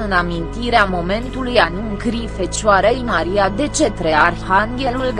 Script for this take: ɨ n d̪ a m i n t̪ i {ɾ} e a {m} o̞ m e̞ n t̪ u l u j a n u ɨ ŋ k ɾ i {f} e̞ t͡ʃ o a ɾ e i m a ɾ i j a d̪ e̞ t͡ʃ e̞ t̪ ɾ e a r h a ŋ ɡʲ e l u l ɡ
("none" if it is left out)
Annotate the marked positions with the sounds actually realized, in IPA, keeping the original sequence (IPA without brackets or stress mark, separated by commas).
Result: ɾ, m, f